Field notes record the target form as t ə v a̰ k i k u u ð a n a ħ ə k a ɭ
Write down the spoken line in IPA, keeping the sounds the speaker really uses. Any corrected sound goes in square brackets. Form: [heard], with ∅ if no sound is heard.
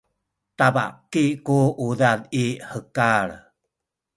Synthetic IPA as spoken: t [a] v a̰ k i k u u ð a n [i] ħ ə k a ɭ